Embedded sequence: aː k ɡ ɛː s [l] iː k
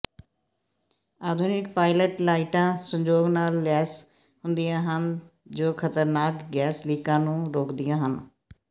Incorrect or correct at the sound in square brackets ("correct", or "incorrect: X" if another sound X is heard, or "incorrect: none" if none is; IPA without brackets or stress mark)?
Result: correct